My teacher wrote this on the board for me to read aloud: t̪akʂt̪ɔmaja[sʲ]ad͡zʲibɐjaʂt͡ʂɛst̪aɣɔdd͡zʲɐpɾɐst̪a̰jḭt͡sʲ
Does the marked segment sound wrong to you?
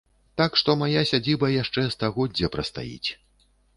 no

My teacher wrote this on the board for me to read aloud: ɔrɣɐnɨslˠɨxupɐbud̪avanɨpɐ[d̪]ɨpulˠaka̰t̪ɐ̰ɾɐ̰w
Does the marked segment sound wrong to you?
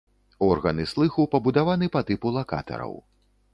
yes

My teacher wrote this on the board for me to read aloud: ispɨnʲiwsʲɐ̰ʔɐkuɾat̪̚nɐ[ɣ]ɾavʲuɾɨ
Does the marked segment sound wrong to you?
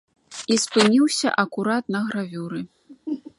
no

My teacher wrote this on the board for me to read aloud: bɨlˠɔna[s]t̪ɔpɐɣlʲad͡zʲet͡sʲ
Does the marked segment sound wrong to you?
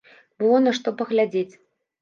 yes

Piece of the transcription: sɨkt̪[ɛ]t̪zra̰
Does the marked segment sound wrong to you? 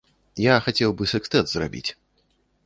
no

